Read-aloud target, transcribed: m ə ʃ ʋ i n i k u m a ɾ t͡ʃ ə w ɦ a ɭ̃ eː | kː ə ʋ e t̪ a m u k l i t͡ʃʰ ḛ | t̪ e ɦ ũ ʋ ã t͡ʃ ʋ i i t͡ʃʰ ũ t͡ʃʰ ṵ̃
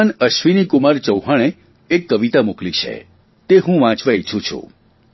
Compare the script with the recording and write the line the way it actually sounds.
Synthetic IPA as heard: n ə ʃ ʋ i n i k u m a ɾ t͡ʃ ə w ɦ a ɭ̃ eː | kː ə ʋ i t̪ a m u k l i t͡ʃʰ ḛ | t̪ e ɦ ũ ʋ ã t͡ʃ ʋ a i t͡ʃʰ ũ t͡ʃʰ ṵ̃